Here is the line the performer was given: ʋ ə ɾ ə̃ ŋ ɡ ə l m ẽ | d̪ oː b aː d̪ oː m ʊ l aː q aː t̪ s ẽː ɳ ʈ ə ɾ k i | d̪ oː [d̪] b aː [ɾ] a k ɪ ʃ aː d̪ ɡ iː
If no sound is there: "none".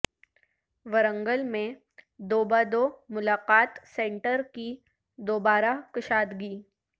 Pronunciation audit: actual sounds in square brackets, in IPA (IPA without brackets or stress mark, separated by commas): none, ɾ